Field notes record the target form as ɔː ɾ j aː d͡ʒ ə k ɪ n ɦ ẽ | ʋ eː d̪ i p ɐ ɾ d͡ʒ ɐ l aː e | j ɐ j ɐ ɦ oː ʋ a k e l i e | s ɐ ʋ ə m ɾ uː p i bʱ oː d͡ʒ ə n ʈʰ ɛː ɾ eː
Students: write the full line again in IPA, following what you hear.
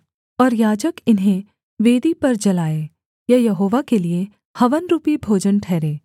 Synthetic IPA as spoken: ɔː ɾ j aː d͡ʒ ə k ɪ n ɦ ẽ | ʋ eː d̪ i p ɐ ɾ d͡ʒ ɐ l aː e | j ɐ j ɐ ɦ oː ʋ a k e l i e | h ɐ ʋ ə n ɾ uː p i bʱ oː d͡ʒ ə n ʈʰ ɛː ɾ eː

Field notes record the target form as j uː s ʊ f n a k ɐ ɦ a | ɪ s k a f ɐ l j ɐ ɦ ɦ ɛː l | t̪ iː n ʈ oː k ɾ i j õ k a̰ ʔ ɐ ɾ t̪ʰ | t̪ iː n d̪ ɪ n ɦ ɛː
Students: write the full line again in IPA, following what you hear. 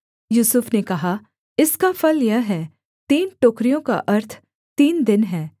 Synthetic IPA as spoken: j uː s ʊ f n e k ɐ ɦ a | ɪ s k a f ɐ l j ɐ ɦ ɦ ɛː | t̪ iː n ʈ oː k ɾ i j õ k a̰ ʔ ɐ ɾ t̪ʰ | t̪ iː n d̪ ɪ n ɦ ɛː

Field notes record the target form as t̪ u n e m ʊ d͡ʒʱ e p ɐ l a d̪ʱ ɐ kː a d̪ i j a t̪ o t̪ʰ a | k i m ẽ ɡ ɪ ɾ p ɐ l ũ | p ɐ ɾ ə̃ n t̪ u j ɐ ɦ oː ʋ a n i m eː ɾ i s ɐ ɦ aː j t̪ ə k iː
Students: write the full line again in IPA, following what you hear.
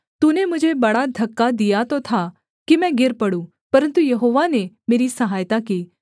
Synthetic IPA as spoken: t̪ u n e m ʊ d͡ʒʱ e b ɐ ɽ a d̪ʱ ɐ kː a d̪ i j a t̪ o t̪ʰ a | k i m ɛ̃ ɡ ɪ ɾ p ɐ ɽ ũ | p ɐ ɾ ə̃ n t̪ u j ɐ ɦ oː ʋ a n e m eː ɾ i s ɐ ɦ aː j t̪ a k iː

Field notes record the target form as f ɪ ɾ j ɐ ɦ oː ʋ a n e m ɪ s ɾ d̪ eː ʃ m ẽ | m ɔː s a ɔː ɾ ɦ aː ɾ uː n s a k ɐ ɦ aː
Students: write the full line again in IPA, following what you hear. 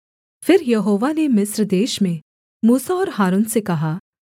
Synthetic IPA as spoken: f ɪ ɾ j ɐ ɦ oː ʋ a n e m ɪ s ɾ d̪ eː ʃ m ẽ | m uː s a ɔː ɾ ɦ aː ɾ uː n s e k ɐ ɦ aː

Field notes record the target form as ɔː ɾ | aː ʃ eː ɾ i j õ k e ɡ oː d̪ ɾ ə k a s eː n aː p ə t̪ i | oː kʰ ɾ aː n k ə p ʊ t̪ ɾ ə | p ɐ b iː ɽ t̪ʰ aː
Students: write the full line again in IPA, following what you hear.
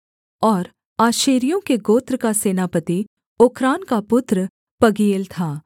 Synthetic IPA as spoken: ɔː ɾ | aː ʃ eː ɾ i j õ k e ɡ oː t̪ ɾ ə k a s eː n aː p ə t̪ i | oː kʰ ɾ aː n k a p ʊ t̪ ɾ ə | p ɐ ɡ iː l t̪ʰ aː

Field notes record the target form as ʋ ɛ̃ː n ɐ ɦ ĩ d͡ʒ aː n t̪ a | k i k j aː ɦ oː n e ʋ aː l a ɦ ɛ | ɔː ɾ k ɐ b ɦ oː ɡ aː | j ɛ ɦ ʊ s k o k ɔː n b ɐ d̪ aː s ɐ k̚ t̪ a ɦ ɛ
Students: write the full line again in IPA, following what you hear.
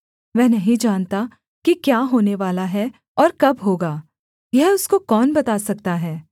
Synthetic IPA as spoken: ʋ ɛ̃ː n ɐ ɦ ĩ d͡ʒ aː n t̪ a | k i k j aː ɦ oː n e ʋ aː l a ɦ ɛ | ɔː ɾ k ɐ b ɦ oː ɡ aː | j ɛ ɦ ʊ s k o k ɔː n b ɐ t̪ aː s ɐ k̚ t̪ a ɦ ɛː

